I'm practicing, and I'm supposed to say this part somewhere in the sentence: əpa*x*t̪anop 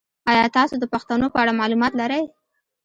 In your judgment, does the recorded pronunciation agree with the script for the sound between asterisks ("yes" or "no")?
yes